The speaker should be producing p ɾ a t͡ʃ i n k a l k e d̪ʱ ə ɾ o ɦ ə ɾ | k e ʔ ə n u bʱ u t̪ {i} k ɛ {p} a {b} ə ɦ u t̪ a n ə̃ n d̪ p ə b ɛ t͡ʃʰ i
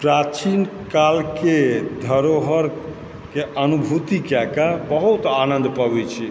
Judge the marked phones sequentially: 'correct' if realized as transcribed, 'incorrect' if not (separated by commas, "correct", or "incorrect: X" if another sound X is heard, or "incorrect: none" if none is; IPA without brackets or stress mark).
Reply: correct, incorrect: k, correct